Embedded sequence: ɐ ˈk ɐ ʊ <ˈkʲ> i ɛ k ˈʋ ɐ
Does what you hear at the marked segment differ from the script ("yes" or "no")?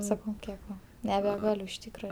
no